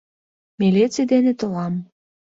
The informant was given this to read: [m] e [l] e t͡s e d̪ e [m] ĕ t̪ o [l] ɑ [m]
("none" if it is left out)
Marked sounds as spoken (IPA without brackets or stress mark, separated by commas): m, l, n, l, m